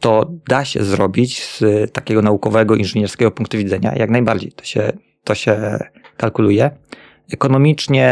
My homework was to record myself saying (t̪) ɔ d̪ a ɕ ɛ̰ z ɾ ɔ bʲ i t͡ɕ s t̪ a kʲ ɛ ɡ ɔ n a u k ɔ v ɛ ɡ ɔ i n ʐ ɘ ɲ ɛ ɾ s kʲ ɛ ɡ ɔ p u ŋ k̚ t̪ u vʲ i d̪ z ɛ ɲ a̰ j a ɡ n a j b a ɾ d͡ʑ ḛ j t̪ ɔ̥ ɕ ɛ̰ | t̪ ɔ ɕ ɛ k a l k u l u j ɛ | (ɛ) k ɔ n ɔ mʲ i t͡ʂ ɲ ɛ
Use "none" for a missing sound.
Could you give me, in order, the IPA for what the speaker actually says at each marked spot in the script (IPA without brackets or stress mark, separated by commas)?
t̪, ɛ